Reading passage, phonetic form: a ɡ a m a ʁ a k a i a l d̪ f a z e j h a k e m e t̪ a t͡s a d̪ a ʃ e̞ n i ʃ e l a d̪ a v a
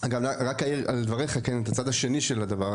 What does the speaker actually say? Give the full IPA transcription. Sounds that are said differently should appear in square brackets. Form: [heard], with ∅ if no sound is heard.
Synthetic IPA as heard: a ɡ a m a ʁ a k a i a l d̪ [v] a [ʁ] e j [χ] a k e [n] e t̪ a t͡s a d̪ a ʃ e̞ n i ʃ e l a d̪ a v a